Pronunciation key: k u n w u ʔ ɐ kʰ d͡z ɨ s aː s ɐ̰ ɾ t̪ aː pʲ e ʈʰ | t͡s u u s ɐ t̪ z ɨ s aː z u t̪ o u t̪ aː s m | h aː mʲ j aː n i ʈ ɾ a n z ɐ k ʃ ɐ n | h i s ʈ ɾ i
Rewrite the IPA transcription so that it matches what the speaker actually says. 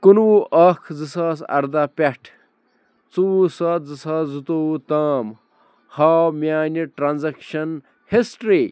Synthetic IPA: k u n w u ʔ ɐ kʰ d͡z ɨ s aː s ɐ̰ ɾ d̪ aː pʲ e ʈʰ | t͡s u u s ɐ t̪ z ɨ s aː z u t̪ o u t̪ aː m | h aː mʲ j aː n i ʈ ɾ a n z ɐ k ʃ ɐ n | h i s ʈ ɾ i

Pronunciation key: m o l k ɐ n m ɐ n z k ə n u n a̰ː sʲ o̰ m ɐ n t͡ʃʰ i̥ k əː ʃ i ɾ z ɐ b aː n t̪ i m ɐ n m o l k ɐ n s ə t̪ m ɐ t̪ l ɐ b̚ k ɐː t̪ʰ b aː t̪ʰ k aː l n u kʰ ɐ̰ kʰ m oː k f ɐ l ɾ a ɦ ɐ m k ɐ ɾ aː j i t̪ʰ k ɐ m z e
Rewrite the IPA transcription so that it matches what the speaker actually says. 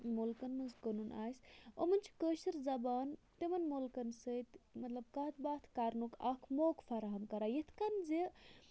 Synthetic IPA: m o l k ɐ n m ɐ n z k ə n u n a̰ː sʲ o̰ m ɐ n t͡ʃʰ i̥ k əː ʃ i ɾ z ɐ b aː n t̪ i m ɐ n m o l k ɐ n s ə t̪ m ɐ t̪ l ɐ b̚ k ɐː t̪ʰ b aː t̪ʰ k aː ɾ n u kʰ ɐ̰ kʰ m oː k f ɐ ɾ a ɦ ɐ m k ɐ ɾ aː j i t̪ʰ k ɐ n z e

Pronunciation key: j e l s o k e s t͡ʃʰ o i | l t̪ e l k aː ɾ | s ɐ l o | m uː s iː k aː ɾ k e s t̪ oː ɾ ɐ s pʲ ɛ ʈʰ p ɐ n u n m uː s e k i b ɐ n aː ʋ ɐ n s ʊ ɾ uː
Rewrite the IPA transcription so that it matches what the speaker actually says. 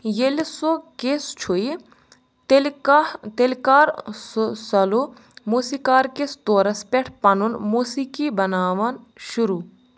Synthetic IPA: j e l s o k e s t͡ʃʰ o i | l t̪ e l k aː ɾ | s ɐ l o | m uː s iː k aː ɾ k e s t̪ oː ɾ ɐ s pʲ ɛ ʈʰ p ɐ n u n m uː s i k i b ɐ n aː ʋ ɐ n ʃ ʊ ɾ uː

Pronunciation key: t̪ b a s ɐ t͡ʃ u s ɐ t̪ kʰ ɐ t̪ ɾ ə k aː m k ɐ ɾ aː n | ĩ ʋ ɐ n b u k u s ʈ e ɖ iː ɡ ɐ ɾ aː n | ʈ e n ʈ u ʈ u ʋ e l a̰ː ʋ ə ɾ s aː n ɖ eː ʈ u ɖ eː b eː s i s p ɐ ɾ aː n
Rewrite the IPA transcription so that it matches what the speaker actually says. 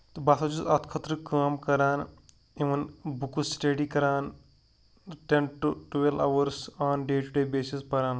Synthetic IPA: t̪ b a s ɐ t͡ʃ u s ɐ t̪ kʰ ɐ t̪ ɾ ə k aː m k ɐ ɾ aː n | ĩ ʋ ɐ n b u k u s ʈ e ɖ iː k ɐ ɾ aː n | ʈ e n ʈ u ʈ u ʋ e l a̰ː ʋ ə ɾ s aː n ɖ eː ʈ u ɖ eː b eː s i s p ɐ ɾ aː n

